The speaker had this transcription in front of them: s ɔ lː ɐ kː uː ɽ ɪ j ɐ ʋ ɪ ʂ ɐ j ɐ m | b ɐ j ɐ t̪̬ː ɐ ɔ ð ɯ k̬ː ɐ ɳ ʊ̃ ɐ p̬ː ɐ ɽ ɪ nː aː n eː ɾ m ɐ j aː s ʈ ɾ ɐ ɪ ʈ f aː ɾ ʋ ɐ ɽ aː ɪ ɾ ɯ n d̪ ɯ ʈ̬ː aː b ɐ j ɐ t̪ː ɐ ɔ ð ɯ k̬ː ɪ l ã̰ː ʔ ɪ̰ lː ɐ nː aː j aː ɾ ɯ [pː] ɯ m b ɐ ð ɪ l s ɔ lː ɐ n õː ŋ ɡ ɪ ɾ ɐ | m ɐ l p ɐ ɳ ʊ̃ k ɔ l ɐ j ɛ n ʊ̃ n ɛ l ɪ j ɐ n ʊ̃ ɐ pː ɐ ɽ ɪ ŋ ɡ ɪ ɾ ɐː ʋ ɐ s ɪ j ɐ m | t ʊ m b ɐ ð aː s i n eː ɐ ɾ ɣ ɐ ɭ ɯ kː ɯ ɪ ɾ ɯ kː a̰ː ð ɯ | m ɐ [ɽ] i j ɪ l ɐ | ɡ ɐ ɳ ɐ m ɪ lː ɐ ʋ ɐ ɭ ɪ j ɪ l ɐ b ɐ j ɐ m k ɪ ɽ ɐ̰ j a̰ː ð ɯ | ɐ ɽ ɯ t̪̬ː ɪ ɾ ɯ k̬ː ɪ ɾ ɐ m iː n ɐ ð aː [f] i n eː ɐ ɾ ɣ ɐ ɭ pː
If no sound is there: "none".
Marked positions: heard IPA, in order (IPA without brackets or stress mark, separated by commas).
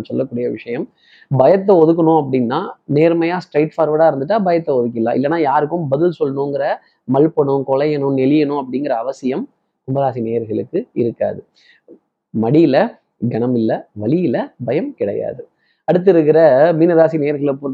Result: kː, ɽ, s